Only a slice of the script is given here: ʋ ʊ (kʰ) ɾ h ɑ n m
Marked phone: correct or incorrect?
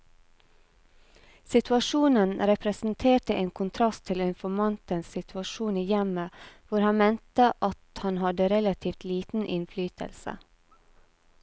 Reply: incorrect